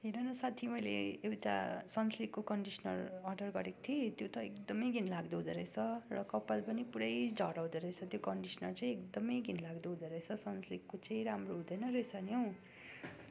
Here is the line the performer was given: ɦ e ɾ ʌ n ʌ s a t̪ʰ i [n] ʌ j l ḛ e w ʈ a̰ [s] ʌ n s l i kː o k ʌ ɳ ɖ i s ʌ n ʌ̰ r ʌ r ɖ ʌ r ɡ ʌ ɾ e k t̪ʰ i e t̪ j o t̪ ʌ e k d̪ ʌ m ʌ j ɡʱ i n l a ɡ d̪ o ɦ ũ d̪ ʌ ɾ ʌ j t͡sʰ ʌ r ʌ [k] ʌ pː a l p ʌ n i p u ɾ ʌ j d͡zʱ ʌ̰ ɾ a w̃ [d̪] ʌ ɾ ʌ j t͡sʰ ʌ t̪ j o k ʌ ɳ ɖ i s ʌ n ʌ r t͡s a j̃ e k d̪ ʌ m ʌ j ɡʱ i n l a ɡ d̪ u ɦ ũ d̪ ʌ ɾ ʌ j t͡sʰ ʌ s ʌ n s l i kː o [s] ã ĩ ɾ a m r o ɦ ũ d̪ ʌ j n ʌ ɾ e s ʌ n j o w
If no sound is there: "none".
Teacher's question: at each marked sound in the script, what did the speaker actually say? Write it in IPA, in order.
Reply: m, s, k, d̪, t͡s

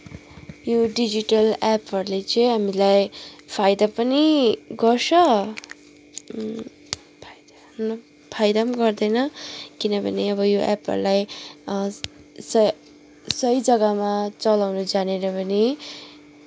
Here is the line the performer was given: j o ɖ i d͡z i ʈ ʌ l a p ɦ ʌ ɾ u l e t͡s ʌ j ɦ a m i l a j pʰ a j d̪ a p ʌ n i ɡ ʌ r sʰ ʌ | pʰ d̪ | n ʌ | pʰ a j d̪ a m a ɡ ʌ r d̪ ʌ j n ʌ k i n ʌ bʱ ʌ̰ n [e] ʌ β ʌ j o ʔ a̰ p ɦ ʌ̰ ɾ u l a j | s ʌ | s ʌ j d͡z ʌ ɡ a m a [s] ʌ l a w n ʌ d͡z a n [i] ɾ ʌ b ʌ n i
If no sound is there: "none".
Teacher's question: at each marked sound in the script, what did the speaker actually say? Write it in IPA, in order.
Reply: e, t͡s, e

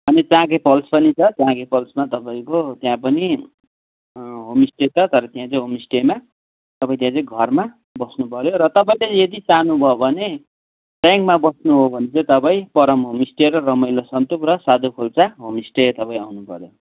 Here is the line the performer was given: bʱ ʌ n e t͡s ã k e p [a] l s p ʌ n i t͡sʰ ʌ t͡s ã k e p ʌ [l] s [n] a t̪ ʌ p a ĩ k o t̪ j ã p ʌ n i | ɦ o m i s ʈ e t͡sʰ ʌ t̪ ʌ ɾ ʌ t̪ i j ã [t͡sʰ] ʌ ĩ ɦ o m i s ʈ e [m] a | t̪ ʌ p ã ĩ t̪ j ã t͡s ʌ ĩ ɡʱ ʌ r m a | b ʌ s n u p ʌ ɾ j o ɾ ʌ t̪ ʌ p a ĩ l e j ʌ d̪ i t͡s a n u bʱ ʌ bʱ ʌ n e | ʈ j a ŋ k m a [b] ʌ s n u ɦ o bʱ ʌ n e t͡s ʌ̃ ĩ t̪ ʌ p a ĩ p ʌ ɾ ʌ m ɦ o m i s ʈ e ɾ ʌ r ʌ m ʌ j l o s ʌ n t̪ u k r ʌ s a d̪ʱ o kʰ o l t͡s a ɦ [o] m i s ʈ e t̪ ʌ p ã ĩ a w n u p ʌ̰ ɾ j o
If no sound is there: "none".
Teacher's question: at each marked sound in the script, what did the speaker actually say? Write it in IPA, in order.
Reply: ʌ, l, m, t͡s, m, b, o

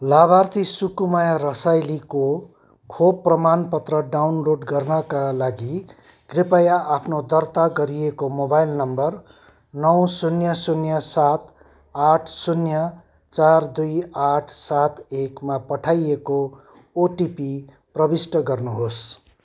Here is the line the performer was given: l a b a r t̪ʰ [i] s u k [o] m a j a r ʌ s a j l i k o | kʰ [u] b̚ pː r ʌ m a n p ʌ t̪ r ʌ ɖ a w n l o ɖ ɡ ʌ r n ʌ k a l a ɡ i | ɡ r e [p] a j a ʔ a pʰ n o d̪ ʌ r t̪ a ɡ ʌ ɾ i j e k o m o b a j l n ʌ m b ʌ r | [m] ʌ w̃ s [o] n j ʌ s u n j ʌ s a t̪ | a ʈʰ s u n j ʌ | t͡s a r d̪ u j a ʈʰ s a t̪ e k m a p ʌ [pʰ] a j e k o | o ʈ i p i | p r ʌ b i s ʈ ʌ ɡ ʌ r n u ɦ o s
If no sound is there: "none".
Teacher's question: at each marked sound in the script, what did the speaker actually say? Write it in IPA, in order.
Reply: i, u, o, p, n, u, ʈʰ

